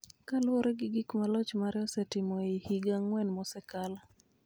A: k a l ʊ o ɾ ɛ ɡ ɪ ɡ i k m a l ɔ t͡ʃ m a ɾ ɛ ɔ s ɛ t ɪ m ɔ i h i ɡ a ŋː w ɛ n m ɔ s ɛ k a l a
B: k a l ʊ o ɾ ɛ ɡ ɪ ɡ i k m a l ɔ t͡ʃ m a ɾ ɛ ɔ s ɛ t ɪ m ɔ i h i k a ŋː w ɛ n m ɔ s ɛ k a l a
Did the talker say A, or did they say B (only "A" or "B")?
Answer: A